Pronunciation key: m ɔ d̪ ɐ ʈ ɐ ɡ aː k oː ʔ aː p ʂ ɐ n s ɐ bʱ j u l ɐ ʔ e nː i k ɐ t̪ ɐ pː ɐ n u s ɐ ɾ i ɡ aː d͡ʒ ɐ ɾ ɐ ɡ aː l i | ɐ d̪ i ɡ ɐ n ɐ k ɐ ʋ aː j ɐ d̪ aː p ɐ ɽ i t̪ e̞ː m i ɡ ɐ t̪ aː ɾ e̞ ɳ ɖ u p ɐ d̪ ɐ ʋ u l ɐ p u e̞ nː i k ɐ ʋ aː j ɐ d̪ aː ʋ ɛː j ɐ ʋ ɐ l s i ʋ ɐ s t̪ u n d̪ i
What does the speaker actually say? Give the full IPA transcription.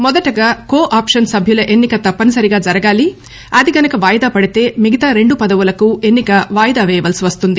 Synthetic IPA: m ɔ d̪ ɐ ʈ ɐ ɡ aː k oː ʔ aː p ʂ ɐ n s ɐ bʱ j u l ɐ ʔ e nː i k ɐ t̪ ɐ pː ɐ n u s ɐ ɾ i ɡ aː d͡ʒ ɐ ɾ ɐ ɡ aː l i | ɐ d̪ i ɡ ɐ n ɐ k ɐ ʋ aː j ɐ d̪ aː p ɐ ɽ i t̪ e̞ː m i ɡ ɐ t̪ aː ɾ e̞ ɳ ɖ u p ɐ d̪ ɐ ʋ u l ɐ k u e̞ nː i k ɐ ʋ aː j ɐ d̪ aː ʋ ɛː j ɐ ʋ ɐ l s i ʋ ɐ s t̪ u n d̪ i